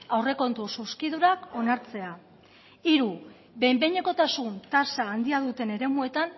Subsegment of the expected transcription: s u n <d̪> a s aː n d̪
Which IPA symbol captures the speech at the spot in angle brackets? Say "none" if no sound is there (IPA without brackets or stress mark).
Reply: t̪